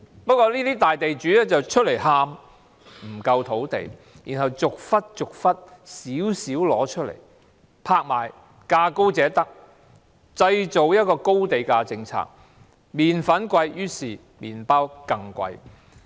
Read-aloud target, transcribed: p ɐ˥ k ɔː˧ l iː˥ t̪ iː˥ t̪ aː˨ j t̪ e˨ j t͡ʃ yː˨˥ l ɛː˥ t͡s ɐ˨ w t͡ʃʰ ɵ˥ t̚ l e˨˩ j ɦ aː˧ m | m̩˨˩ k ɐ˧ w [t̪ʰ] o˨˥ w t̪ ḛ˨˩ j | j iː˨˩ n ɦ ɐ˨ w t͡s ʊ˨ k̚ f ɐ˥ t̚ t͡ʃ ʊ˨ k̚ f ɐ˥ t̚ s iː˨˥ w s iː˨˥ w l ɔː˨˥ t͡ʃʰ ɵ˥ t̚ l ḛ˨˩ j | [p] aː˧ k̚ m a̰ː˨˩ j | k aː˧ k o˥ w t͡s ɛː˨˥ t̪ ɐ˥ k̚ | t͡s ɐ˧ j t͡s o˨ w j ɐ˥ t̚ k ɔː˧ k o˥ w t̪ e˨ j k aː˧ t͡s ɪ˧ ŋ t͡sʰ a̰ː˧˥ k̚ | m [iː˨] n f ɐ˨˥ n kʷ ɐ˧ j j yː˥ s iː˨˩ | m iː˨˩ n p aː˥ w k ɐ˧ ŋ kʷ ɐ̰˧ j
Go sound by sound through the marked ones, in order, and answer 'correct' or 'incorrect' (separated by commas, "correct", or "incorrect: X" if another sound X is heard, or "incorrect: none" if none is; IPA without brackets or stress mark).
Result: correct, incorrect: pʰ, correct